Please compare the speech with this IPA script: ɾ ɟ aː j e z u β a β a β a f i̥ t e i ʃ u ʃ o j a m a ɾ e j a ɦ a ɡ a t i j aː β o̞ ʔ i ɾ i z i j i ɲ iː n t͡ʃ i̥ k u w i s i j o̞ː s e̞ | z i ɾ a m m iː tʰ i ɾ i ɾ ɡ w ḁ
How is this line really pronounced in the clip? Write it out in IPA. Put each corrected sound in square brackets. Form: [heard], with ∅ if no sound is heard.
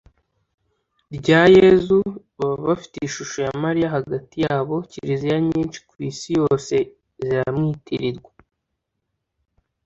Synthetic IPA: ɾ ɟ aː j e z u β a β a β a f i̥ t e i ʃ u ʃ o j a m a ɾ [i] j a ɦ a ɡ a t i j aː β o̞ [c] i ɾ i z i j [a] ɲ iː n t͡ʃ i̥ k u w i s i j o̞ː s e̞ | z i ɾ a m [ŋ] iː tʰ i ɾ i ɾ ɡ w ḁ